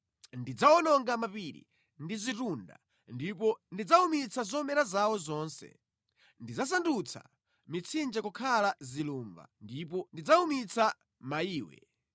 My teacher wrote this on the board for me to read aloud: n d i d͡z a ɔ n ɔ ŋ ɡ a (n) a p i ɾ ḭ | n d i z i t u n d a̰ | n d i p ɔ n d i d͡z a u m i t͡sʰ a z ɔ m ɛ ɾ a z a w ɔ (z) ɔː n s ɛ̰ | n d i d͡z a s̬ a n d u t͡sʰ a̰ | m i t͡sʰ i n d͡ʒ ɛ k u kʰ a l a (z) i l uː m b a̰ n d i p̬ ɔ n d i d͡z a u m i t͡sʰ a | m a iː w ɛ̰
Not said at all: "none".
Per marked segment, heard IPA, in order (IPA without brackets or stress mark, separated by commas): m, z, z